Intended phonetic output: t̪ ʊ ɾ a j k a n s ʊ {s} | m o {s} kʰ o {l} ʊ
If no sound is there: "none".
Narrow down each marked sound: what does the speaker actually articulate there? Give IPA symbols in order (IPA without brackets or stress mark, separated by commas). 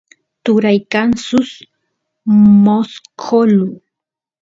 s, s, l